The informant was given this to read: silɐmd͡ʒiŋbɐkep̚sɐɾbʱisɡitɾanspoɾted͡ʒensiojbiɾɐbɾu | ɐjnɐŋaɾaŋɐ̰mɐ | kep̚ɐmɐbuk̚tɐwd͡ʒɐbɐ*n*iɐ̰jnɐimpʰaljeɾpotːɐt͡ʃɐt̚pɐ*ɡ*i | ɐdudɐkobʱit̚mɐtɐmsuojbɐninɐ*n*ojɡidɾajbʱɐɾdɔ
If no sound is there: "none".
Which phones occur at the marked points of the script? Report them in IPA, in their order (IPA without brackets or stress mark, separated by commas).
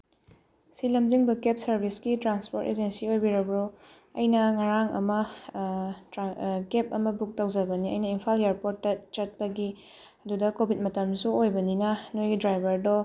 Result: n, ɡ, n